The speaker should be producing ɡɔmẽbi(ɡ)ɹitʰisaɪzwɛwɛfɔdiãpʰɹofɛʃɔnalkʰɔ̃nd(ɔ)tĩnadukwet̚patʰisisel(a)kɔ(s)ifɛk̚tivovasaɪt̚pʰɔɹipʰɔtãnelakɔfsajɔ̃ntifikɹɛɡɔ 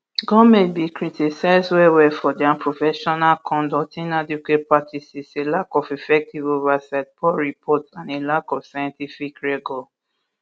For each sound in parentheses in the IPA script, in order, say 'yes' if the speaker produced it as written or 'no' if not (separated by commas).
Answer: no, yes, yes, no